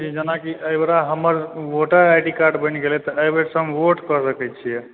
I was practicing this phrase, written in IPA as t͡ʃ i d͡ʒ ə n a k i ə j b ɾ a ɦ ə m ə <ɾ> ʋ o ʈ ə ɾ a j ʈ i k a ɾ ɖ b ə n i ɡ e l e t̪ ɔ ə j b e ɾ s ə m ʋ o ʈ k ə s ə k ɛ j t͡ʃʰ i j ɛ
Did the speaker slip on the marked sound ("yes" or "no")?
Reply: no